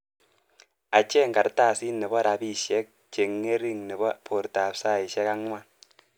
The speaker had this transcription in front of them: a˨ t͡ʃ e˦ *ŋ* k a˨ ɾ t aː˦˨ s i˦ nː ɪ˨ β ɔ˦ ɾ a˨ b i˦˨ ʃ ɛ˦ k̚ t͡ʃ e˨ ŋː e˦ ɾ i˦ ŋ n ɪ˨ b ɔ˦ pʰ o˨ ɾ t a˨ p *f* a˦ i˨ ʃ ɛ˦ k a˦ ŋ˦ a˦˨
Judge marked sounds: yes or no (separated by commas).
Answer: yes, no